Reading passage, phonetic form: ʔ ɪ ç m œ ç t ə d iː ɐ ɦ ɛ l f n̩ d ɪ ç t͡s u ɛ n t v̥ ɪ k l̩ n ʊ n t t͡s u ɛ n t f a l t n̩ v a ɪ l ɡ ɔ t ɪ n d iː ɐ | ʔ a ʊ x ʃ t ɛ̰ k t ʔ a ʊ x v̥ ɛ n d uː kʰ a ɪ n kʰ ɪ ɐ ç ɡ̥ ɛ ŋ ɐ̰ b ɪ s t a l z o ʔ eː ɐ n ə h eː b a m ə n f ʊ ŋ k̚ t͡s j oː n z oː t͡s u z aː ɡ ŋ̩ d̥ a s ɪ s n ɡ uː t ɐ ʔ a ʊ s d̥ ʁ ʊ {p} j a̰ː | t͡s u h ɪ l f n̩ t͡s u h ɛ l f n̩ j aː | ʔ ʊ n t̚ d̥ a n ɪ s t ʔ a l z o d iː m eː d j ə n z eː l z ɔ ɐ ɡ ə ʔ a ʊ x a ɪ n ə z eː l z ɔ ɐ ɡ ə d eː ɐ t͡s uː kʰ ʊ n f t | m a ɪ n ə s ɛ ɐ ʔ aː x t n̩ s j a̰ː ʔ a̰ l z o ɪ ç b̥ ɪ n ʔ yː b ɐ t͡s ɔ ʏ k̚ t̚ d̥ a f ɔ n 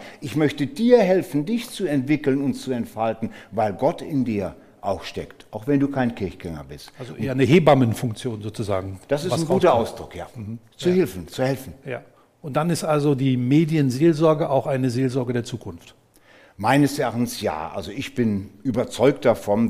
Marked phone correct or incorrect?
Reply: incorrect